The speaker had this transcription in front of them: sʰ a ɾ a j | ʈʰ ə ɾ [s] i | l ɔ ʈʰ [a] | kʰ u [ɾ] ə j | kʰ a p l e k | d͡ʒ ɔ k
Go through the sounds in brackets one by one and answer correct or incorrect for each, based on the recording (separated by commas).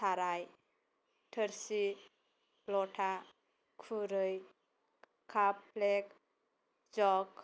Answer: correct, correct, correct